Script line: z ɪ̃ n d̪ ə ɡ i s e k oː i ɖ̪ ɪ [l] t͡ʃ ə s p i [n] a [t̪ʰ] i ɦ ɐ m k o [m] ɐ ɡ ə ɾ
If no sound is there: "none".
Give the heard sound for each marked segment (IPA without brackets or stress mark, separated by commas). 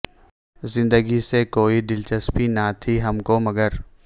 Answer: l, n, t̪ʰ, m